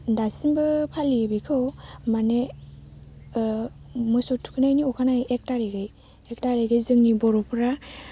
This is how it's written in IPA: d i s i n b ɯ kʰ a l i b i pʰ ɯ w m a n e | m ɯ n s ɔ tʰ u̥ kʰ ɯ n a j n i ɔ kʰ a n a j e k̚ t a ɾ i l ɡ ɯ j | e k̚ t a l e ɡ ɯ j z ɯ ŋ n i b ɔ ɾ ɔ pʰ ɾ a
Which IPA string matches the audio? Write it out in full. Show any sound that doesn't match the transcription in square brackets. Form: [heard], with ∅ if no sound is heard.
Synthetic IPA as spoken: d [a] s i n b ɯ [pʰ] a l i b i [kʰ] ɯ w m a n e | m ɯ [∅] s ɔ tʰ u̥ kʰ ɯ n a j n i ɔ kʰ a n a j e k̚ t a ɾ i [∅] ɡ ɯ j | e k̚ t a [ɾ] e ɡ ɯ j z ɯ ŋ n i b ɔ ɾ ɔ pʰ ɾ a